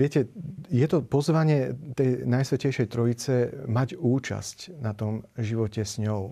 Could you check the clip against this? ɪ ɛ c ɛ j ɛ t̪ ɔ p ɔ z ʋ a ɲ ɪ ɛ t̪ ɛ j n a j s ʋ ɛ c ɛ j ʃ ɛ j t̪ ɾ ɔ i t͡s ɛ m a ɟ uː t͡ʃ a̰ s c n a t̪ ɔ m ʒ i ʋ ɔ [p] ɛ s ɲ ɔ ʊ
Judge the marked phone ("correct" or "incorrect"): incorrect